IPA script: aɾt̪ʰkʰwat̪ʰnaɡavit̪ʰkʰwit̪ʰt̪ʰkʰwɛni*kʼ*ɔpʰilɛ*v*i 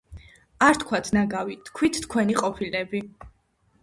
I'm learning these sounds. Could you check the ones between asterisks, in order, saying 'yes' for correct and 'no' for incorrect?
no, no

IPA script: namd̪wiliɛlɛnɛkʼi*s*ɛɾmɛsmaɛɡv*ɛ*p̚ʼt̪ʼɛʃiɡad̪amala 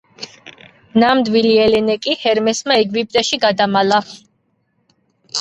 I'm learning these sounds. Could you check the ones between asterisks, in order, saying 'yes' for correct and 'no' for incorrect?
no, no

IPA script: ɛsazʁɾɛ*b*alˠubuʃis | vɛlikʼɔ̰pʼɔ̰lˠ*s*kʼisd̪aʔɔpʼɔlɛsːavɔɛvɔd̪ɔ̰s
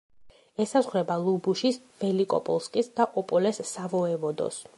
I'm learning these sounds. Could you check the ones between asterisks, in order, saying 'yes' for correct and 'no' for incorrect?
yes, yes

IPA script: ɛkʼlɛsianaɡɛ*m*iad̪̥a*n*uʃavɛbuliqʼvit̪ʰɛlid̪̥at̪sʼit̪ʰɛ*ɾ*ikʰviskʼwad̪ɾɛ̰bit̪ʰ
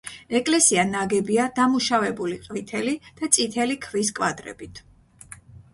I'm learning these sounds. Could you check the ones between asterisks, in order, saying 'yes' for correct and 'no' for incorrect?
no, no, no

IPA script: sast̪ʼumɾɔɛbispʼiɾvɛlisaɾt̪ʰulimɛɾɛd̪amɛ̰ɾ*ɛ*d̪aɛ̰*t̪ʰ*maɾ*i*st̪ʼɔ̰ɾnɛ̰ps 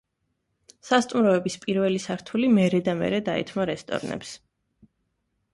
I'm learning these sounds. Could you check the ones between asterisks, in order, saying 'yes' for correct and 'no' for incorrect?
yes, yes, no

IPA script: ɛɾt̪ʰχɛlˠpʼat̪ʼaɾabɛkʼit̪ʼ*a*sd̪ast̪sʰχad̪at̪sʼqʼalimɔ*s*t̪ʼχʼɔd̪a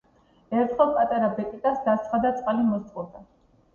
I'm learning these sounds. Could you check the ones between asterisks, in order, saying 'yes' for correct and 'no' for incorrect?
yes, yes

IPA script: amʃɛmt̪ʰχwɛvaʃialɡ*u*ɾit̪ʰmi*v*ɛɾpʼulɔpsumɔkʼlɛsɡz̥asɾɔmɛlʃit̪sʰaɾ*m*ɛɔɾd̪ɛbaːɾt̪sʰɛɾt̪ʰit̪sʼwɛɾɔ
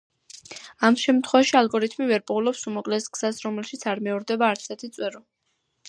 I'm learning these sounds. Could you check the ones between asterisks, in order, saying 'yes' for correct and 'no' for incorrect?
no, yes, yes

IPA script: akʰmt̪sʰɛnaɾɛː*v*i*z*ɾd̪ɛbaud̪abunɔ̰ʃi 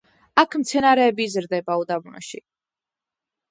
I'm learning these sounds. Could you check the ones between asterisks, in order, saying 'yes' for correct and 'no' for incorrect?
no, yes

